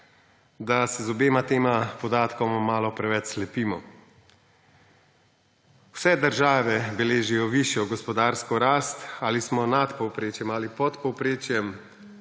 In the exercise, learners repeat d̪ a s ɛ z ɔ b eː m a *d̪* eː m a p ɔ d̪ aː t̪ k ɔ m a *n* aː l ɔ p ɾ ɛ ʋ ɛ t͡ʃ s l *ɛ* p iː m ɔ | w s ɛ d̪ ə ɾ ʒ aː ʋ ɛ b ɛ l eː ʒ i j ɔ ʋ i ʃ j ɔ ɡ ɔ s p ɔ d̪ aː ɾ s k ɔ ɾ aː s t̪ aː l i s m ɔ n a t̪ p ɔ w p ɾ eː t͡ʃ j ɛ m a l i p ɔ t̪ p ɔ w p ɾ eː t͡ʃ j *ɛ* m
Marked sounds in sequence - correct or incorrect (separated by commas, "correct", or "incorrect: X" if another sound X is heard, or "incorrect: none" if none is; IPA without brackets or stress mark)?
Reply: incorrect: t̪, incorrect: m, correct, correct